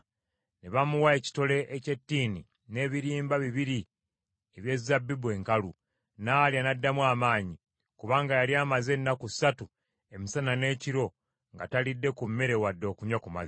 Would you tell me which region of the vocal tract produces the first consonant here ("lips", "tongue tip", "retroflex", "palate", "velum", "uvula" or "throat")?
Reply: tongue tip